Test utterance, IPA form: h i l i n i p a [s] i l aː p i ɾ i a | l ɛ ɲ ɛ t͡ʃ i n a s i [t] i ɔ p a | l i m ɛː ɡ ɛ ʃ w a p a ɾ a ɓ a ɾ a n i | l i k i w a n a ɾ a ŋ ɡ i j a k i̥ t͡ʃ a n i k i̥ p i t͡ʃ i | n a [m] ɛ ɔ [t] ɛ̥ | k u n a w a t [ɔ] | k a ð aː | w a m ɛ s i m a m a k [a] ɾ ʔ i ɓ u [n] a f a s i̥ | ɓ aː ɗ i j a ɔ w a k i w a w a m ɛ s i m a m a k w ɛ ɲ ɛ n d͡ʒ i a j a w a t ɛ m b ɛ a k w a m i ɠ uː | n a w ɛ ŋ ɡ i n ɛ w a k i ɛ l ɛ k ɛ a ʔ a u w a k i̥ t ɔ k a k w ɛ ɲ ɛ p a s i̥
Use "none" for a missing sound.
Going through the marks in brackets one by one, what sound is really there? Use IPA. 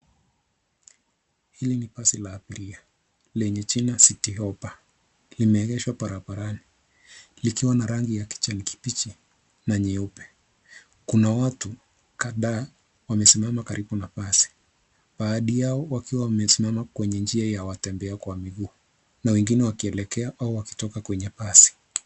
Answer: s, t, ɲ, p, u, a, n

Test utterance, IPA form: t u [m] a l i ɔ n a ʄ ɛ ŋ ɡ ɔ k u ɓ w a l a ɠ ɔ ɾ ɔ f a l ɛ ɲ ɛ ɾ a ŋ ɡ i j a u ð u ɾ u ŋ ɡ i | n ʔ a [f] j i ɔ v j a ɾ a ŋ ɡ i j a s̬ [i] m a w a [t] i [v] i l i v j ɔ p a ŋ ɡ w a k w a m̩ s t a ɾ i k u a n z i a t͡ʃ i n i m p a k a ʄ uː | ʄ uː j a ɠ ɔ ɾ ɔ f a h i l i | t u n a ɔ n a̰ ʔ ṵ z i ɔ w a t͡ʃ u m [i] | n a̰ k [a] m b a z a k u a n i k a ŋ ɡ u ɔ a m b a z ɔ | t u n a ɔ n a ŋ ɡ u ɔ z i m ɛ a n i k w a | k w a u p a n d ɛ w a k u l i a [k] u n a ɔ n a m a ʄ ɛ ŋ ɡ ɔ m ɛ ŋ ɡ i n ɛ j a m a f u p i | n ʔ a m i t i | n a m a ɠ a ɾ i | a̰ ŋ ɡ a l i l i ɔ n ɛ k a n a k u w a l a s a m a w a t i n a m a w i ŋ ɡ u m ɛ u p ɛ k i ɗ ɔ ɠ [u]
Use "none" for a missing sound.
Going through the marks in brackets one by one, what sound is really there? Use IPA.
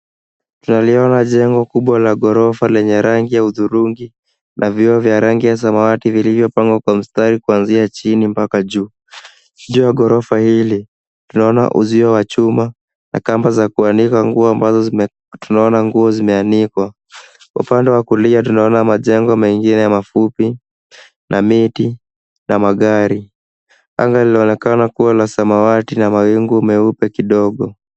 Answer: n, v, a, t, v, a, a, t, ɔ

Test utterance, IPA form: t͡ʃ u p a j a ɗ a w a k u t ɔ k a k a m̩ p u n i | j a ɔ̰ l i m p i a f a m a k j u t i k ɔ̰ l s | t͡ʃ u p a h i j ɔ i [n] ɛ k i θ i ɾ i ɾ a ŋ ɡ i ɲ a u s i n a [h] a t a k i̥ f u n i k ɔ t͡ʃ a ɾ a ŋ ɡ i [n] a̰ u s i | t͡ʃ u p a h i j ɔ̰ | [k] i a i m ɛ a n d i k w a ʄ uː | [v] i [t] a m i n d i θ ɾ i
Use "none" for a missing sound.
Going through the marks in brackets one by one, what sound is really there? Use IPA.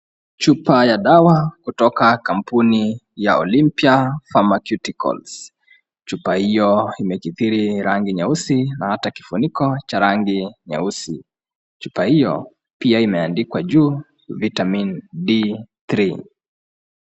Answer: m, h, ɲ, p, v, t

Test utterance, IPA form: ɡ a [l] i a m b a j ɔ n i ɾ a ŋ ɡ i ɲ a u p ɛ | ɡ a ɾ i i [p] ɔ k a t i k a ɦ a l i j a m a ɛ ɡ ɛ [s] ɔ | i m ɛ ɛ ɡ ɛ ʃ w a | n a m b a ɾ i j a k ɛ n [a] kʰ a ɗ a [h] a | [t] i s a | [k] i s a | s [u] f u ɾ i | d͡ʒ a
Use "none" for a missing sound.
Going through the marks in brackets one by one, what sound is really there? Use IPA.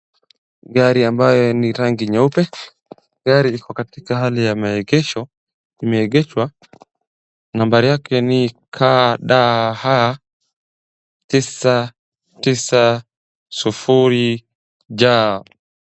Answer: ɾ, k, ʃ, i, h, t, t, u

